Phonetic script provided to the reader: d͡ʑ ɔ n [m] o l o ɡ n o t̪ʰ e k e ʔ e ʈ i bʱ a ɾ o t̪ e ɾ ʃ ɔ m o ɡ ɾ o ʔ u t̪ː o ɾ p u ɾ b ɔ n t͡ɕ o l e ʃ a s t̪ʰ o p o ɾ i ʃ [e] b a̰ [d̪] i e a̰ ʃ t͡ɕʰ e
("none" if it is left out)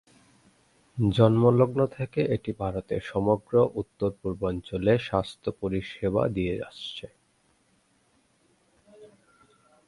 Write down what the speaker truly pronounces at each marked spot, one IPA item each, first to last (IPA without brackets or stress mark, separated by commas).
m, e, d̪